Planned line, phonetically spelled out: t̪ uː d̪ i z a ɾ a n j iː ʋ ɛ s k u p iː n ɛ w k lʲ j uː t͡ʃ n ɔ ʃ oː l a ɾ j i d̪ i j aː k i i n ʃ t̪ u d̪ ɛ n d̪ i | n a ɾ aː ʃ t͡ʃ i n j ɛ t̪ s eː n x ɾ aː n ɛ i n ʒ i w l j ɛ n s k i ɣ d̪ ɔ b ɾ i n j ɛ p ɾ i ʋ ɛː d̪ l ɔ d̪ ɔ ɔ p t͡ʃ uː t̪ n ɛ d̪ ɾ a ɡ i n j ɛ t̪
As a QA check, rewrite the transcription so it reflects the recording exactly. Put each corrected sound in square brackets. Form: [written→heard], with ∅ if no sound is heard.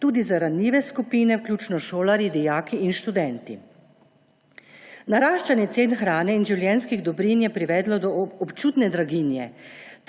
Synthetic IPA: t̪ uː d̪ i z a ɾ a n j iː ʋ ɛ s k u p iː n ɛ w k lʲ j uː t͡ʃ n ɔ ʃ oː l a ɾ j i d̪ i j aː k i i n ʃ t̪ u d̪ ɛ n [d̪→t̪] i | n a ɾ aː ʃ t͡ʃ [i→a] n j ɛ t̪ s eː n x ɾ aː n ɛ i n ʒ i w l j ɛ n s k i ɣ d̪ ɔ b ɾ i n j ɛ p ɾ i ʋ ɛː d̪ l ɔ d̪ ɔ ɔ p t͡ʃ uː t̪ n ɛ d̪ ɾ a ɡ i n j ɛ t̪